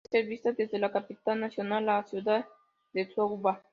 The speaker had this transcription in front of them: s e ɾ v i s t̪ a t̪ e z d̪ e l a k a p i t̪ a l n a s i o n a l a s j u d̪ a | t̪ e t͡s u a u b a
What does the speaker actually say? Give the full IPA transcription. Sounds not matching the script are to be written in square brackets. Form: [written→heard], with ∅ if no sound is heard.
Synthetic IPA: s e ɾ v i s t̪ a [t̪→d̪] e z d̪ e l a k a p i t̪ a l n a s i o n a l a s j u d̪ a | [t̪→d̪] e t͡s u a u b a